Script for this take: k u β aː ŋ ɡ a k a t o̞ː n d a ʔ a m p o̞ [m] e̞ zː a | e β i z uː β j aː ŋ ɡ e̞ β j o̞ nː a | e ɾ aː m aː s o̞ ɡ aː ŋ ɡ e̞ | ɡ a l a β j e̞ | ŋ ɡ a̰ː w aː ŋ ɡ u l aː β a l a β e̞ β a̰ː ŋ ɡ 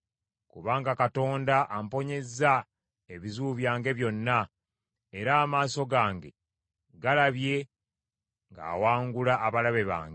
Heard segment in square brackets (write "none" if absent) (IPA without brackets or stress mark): ɲ